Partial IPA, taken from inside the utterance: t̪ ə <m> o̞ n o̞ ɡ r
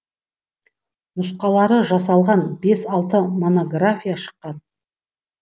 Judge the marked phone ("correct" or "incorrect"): correct